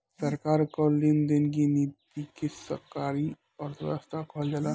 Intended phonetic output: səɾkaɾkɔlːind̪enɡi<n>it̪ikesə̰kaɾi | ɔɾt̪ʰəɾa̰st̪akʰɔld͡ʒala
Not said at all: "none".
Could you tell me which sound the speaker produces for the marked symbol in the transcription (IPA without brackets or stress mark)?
n